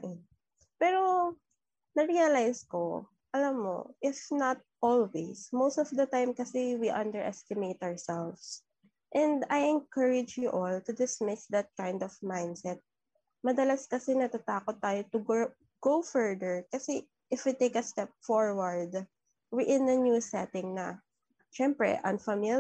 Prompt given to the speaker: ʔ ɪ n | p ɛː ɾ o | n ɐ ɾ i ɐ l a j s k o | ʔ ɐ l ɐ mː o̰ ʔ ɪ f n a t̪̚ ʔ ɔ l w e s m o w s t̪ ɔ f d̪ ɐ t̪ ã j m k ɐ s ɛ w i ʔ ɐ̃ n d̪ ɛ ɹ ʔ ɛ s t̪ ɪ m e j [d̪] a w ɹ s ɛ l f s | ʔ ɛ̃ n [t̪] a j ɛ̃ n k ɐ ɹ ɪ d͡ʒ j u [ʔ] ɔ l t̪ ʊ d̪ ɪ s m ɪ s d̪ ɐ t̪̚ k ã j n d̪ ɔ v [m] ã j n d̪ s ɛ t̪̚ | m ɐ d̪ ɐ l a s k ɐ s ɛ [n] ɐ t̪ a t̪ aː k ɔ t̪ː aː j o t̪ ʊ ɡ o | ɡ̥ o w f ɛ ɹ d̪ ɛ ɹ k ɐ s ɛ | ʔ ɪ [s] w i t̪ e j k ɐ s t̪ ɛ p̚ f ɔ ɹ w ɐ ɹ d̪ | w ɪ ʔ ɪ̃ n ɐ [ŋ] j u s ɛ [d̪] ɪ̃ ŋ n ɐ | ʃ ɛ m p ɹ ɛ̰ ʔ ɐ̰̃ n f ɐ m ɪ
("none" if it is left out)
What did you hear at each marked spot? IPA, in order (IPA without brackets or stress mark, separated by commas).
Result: t̪, d̪, ʔ, m, n, f, n, t̪